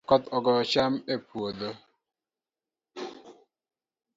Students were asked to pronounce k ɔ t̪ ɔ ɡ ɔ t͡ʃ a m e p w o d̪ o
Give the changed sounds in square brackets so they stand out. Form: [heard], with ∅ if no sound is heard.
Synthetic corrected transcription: k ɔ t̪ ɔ ɡ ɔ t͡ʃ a m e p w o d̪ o